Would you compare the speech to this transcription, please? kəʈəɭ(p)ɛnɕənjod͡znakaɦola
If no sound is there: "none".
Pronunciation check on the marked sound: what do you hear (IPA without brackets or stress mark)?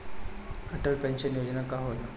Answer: p